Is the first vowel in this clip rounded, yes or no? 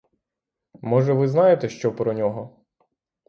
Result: yes